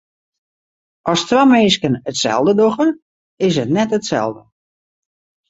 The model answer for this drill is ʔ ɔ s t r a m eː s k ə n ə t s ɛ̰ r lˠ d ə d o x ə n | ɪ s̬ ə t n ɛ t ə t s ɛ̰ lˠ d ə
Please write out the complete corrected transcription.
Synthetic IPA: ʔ ɔ s t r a m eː s k ə n ə t s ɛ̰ lˠ d ə d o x ə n | ɪ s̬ ə t n ɛ t ə t s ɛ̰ lˠ d ə